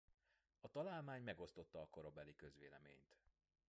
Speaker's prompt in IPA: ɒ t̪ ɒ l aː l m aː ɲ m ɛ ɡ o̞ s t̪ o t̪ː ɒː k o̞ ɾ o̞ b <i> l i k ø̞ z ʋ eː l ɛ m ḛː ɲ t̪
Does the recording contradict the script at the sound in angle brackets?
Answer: yes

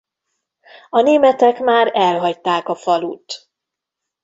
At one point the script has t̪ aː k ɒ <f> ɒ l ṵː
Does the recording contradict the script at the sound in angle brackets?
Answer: no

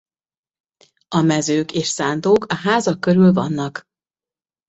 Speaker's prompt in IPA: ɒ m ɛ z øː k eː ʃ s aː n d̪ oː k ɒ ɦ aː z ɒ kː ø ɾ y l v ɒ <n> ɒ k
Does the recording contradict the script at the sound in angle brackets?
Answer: yes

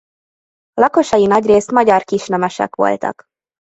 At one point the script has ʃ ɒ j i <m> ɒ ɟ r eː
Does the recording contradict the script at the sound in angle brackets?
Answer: yes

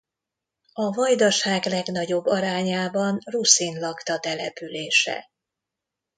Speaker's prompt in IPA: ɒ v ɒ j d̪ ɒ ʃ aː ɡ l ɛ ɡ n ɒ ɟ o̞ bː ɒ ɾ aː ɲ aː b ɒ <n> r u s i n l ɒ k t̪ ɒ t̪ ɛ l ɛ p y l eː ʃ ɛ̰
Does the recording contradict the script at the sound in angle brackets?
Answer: no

